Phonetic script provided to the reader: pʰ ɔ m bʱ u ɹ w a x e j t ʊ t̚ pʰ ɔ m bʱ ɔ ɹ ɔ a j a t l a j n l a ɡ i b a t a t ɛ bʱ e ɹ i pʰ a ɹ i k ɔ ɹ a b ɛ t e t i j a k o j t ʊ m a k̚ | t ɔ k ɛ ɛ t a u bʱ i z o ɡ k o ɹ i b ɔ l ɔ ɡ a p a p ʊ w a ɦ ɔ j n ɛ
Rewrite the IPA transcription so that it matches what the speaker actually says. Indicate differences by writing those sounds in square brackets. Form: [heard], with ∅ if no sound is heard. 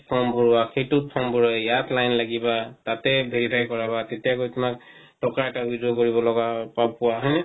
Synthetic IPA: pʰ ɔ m bʱ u ɹ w a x e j t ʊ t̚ pʰ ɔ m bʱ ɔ ɹ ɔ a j a t l a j n l a ɡ i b a t a t ɛ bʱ e ɹ i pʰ a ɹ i k ɔ ɹ a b [a] t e t i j a k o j t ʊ m a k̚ | t ɔ k [a] ɛ t a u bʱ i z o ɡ k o ɹ i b ɔ l ɔ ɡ a p a p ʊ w a ɦ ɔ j n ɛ